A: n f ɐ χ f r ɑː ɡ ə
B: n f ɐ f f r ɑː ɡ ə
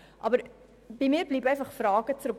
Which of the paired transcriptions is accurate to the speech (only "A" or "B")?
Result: A